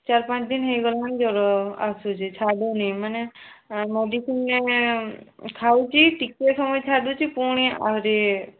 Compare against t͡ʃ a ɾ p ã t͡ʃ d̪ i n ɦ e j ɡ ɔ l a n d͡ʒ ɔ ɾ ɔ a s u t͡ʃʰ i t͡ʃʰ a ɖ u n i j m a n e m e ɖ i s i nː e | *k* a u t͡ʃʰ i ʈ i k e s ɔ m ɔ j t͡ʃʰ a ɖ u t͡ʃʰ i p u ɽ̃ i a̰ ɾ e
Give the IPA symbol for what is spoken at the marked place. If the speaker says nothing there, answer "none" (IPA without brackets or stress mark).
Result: kʰ